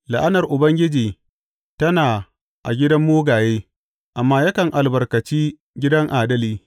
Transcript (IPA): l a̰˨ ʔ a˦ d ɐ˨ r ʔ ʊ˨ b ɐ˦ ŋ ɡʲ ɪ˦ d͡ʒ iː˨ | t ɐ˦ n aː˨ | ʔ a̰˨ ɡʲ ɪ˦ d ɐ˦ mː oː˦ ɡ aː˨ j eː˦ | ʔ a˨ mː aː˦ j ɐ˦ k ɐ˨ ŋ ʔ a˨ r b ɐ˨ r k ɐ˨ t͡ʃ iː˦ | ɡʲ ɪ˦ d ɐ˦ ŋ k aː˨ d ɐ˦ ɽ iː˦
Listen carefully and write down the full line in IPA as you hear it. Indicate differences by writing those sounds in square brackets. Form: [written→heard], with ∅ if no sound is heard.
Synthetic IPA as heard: l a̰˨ ʔ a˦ [d→n] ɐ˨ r ʔ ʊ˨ b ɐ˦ ŋ ɡʲ ɪ˦ d͡ʒ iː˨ | t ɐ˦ n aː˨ | ʔ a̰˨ ɡʲ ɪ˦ d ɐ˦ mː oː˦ ɡ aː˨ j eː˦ | ʔ a˨ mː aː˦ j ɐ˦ k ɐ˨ ŋ ʔ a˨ [r→l] b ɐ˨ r k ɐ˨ t͡ʃ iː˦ | ɡʲ ɪ˦ d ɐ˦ ŋ [k→ʔ] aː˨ d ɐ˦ [ɽ→l] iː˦